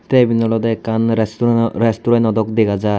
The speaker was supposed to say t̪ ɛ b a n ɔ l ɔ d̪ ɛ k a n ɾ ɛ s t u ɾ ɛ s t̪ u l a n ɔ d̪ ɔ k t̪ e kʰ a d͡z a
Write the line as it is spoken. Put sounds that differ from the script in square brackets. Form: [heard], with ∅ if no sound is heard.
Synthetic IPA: t̪ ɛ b [i] n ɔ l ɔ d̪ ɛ k a n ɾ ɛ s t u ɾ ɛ s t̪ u [ɾ] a n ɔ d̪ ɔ k [d̪] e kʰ a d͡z a